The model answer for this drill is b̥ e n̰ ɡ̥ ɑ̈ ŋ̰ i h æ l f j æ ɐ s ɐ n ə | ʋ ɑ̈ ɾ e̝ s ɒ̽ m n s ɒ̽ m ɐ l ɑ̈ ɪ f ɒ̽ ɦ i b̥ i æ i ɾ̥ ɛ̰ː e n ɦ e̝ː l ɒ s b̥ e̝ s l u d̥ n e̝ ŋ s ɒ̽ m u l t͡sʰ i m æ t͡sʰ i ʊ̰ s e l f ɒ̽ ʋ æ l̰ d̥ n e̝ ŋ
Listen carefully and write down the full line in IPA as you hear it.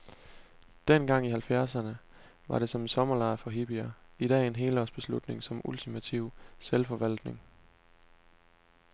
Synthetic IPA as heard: d̥ e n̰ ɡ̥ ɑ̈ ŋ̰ i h æ l f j æ ɐ s ɐ n ə | ʋ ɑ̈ ɾ e̝ s ɒ̽ m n s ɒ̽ m ɐ l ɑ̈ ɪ f ɒ̽ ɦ i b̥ i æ i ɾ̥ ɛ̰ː e n ɦ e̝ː l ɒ s b̥ e̝ s l u d̥ n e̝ ŋ s ɒ̽ m u l t͡sʰ i m æ t͡sʰ i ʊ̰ s e l f ɒ̽ ʋ æ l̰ d̥ n e̝ ŋ